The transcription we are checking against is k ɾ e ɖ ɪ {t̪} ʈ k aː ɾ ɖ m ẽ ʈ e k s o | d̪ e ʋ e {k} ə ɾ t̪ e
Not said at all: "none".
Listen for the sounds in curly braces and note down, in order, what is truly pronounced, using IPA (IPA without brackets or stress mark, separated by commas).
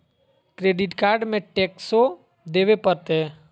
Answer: none, p